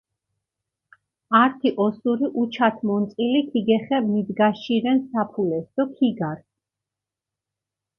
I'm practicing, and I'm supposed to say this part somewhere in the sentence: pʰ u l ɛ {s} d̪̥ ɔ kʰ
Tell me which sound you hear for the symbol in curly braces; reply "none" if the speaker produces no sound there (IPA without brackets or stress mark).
s